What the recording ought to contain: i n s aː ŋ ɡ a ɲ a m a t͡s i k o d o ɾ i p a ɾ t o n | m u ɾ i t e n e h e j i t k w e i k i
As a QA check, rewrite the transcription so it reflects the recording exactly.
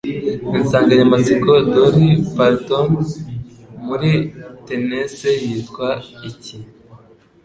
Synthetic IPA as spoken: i n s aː ŋ ɡ a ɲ a m a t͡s i k o d o ɾ i p a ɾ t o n | m u ɾ i t e n e s e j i t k w a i c i